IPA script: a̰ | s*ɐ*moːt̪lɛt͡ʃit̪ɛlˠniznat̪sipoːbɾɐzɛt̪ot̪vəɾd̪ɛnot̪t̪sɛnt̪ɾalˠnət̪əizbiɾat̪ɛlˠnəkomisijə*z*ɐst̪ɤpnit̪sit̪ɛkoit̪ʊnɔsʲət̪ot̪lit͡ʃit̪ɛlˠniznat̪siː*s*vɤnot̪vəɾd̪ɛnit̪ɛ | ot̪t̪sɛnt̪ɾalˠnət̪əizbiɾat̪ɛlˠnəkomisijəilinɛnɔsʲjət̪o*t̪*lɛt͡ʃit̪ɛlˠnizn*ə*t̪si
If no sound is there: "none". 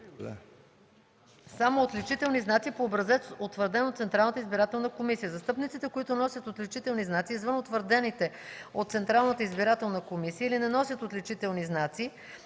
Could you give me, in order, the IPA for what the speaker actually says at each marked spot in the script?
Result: a, z, z, t̪, a

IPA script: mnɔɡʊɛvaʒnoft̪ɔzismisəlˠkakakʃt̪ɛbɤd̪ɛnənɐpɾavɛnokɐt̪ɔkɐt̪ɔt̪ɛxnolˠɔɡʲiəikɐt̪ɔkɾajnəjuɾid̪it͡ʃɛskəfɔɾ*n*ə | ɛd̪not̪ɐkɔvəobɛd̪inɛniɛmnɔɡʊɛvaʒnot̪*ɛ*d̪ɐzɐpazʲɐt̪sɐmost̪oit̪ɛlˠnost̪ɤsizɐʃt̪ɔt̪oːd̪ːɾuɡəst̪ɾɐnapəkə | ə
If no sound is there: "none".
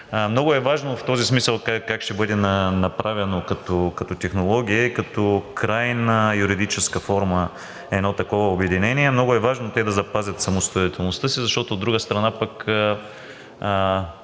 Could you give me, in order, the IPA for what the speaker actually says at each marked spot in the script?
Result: m, ɛ

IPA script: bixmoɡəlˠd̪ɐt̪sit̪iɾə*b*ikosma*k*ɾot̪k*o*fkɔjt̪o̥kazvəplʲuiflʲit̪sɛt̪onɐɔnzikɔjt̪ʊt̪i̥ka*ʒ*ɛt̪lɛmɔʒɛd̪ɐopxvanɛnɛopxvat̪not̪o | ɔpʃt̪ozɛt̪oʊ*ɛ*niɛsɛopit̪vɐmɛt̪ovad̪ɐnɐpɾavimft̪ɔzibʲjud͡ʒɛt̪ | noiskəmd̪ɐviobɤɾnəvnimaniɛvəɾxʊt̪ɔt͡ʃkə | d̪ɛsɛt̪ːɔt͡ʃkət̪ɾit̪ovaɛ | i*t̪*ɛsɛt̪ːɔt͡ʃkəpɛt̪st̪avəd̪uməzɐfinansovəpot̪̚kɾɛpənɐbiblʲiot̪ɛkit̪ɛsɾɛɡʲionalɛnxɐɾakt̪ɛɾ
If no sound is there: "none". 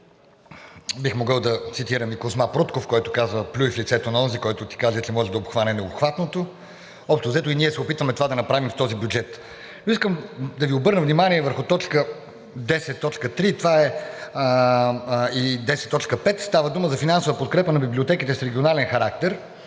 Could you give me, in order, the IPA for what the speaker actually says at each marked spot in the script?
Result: m, p, o, z, i, d̪

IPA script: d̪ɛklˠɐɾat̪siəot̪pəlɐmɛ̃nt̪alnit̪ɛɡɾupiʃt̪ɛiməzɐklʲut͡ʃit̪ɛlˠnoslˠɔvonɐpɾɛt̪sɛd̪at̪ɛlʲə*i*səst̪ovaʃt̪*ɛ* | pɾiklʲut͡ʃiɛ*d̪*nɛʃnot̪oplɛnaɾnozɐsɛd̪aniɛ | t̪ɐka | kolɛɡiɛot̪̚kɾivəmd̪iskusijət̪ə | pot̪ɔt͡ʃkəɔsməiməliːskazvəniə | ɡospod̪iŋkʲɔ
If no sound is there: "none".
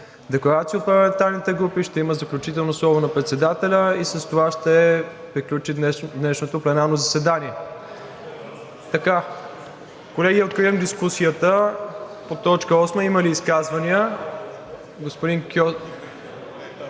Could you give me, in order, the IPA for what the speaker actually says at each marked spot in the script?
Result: i, ɛ, d̪

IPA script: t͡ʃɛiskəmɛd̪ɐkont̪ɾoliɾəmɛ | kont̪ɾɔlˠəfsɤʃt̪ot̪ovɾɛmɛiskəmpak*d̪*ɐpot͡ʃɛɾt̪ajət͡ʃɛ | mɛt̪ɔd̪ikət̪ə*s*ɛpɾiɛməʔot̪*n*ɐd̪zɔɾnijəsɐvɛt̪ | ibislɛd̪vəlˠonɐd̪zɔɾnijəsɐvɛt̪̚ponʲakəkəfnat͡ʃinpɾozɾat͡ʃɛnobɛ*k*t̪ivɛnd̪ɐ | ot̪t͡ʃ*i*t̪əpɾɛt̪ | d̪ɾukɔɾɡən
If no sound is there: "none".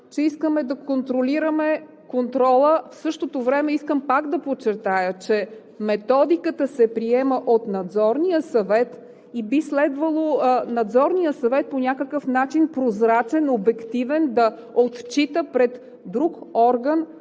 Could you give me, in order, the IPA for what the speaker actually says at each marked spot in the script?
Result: d̪, s, n, k, i

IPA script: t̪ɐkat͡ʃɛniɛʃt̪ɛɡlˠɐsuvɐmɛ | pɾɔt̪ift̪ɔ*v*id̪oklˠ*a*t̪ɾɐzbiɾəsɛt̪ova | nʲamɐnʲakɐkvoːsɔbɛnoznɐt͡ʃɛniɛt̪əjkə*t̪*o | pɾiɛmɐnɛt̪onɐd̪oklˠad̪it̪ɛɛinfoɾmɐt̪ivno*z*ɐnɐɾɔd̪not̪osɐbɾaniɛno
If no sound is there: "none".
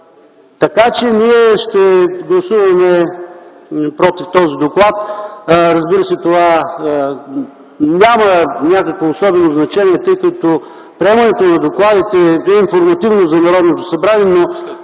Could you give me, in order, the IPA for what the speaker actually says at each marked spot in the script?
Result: z, a, t̪, z

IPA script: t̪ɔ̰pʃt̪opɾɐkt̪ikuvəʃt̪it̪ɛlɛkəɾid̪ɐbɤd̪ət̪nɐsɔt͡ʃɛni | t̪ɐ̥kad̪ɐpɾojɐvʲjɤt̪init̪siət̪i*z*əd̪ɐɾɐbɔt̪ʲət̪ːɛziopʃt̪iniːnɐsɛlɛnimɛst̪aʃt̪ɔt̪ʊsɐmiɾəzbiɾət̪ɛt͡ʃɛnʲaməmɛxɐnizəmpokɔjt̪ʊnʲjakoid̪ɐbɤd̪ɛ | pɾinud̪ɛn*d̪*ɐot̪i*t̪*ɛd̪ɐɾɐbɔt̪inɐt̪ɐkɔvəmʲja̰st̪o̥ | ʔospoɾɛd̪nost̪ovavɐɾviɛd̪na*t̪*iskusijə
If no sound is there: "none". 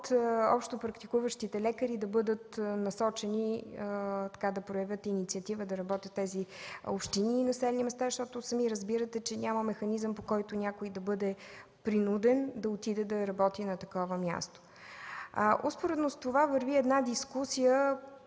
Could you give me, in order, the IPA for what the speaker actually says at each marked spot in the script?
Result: v, d̪, d̪, d̪

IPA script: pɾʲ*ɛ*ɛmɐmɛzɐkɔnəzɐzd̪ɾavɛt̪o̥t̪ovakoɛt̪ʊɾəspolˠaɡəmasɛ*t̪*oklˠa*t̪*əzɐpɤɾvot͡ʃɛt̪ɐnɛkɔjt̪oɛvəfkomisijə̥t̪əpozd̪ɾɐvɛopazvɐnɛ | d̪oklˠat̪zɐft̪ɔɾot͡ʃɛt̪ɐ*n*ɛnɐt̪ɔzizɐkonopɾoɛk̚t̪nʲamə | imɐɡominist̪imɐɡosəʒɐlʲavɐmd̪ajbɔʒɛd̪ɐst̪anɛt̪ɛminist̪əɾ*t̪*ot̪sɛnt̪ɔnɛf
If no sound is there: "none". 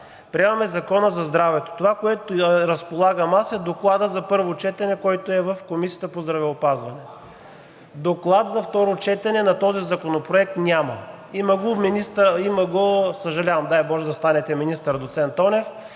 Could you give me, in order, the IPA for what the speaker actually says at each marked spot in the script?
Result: i, d̪, d̪, n, d̪

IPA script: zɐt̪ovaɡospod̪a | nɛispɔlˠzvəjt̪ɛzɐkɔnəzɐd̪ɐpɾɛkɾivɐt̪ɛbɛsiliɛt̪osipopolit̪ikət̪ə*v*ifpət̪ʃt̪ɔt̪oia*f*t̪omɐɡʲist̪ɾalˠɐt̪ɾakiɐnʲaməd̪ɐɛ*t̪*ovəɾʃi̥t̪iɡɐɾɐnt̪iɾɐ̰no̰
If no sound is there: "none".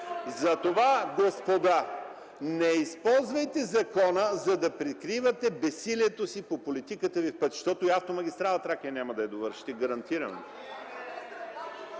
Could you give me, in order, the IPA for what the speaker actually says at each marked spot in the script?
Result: v, f, d̪

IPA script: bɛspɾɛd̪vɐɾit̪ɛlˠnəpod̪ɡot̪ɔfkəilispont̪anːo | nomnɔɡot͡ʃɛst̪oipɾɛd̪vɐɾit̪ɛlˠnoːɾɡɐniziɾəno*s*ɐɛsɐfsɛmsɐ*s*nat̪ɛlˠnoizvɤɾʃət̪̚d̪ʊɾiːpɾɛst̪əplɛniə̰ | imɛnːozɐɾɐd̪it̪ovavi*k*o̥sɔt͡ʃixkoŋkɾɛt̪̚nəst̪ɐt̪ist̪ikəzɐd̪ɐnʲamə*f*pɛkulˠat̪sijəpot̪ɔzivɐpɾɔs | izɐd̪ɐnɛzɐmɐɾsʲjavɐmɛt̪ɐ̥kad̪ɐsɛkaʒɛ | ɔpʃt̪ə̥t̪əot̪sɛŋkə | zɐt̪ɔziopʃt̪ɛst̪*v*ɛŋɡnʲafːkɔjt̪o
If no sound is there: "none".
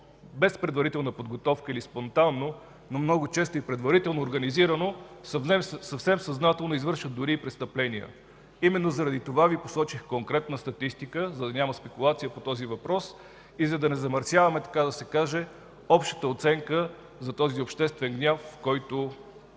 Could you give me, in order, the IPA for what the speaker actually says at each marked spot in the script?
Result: s, z, p, s, v

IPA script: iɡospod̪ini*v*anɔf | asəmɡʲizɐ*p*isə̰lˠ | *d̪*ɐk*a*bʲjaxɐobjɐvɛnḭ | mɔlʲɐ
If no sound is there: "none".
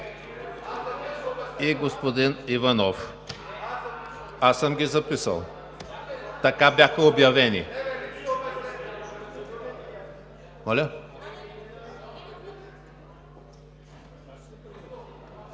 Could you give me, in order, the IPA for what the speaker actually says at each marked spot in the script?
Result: v, p, t̪, a

